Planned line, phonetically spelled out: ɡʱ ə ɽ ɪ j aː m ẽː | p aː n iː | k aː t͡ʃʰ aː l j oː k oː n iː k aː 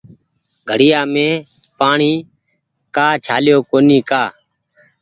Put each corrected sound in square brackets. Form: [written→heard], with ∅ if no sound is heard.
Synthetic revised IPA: ɡʱ ə ɽ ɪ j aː m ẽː | p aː [n→ɳ] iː | k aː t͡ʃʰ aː l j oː k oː n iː k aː